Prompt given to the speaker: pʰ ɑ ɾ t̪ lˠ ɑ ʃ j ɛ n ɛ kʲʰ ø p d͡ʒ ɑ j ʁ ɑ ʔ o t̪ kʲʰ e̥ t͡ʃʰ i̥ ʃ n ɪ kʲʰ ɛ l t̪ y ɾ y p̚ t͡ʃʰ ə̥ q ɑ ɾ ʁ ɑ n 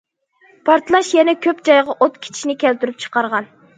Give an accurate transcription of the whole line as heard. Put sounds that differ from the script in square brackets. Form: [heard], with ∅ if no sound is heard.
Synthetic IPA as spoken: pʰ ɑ ɾ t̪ lˠ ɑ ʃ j ɛ n ɛ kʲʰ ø p d͡ʒ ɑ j ʁ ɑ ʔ o t̪ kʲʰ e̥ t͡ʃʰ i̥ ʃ n ɪ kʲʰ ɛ l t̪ y ɾ y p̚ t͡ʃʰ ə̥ q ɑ ɾ ʁ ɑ n